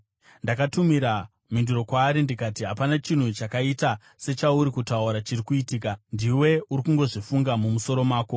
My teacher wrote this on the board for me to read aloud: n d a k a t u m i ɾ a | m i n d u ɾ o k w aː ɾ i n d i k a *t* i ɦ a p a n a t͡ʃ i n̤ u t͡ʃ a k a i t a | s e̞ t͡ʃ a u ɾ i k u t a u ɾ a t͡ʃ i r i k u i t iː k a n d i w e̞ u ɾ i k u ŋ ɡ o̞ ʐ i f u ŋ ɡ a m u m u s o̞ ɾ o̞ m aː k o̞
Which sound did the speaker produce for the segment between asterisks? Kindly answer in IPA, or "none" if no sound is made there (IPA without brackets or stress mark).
t